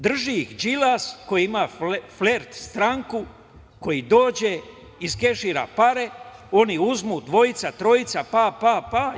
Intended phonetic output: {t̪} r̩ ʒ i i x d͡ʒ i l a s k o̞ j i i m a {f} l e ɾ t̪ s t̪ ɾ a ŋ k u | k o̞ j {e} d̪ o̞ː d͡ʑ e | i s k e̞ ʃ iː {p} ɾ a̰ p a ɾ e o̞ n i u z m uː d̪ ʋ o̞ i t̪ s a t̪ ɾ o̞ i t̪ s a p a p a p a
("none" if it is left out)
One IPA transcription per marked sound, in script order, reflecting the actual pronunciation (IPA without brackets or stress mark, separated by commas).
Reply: d̪, f, i, none